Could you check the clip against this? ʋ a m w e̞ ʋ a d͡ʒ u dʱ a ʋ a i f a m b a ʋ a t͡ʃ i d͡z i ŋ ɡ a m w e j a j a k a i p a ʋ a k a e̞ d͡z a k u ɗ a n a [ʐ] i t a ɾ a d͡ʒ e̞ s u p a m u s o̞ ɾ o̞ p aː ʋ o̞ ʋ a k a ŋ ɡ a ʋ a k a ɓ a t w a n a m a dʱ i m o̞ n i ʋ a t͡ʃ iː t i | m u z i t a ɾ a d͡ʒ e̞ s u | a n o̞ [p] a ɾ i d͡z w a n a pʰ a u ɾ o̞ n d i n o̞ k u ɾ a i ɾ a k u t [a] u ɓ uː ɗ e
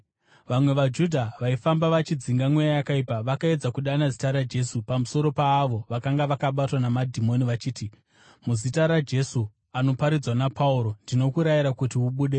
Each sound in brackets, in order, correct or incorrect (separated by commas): incorrect, correct, incorrect